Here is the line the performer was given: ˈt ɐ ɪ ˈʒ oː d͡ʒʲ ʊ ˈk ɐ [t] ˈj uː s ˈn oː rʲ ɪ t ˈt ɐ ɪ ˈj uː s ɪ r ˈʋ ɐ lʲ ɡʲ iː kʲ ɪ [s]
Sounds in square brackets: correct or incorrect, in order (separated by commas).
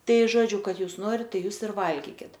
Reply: correct, incorrect